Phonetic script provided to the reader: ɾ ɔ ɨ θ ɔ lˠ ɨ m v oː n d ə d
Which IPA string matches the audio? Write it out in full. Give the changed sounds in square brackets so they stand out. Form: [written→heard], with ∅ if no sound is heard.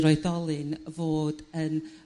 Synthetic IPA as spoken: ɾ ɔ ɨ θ ɔ lˠ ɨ [m→n] v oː [n→∅] d ə [d→n]